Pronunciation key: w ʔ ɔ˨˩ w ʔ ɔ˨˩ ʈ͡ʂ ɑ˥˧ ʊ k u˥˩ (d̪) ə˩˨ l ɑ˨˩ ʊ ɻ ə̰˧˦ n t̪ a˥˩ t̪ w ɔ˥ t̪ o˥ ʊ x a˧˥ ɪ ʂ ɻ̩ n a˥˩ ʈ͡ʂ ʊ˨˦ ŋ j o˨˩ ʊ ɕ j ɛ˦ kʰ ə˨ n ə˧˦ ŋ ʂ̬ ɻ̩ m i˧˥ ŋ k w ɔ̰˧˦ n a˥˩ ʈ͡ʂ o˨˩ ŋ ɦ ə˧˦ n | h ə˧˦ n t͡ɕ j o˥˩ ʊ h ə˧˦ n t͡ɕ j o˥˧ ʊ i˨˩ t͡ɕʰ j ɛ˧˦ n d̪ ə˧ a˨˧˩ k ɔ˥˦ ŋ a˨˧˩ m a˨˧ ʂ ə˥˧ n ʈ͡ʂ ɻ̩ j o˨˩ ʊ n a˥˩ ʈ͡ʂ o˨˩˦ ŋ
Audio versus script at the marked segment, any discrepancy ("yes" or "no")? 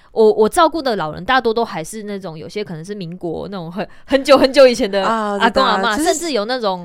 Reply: no